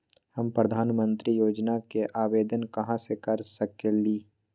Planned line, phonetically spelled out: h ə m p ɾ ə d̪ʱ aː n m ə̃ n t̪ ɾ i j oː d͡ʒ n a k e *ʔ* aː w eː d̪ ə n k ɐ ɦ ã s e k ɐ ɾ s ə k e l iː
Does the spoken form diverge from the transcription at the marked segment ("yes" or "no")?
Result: no